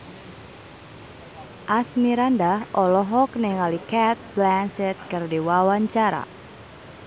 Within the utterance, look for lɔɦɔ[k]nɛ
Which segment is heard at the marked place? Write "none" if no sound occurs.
k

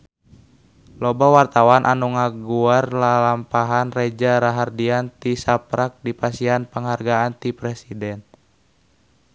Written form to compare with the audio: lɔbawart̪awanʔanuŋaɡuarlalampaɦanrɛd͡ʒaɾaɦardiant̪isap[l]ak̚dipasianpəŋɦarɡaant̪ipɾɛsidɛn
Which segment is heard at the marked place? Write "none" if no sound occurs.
ɾ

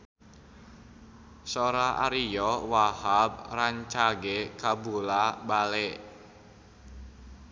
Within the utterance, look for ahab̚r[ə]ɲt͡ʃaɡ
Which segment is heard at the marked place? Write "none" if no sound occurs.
a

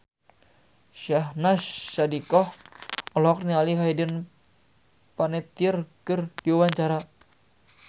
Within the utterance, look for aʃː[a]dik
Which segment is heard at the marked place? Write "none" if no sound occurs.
a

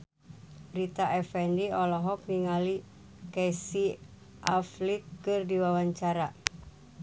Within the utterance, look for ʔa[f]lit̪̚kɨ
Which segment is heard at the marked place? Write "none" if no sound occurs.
f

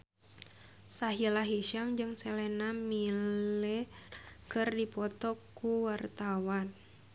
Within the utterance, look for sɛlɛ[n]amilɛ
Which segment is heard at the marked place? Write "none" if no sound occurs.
n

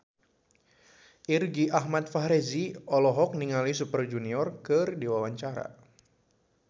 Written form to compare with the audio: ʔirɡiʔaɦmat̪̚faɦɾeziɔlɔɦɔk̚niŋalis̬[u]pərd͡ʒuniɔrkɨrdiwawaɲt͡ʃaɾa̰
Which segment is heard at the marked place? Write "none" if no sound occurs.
u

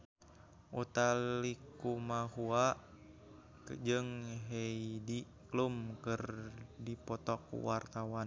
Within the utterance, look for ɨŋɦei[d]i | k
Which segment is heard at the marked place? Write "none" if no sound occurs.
d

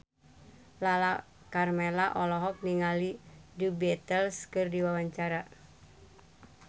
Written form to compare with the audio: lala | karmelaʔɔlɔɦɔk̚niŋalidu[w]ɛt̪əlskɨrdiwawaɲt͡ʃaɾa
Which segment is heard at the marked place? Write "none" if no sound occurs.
b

